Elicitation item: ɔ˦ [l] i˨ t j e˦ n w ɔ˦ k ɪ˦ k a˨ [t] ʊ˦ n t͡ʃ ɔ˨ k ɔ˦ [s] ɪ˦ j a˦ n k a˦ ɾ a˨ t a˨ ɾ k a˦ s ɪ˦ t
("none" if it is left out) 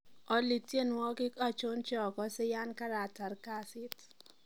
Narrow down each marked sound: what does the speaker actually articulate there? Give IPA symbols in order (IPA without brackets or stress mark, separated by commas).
l, t͡ʃ, s